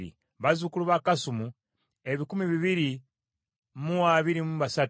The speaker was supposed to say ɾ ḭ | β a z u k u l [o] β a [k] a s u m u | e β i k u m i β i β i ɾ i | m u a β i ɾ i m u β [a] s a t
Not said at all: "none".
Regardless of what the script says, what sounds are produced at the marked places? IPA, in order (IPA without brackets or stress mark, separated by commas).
u, k, a